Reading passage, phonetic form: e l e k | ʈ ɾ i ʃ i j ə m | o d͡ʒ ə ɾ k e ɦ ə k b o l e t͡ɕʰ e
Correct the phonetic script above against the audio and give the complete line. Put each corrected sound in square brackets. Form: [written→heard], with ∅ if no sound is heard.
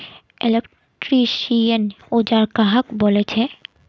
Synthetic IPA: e l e k | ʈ ɾ i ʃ i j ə [m→n] | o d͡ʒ [ə→a] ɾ k [e→a] ɦ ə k b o l e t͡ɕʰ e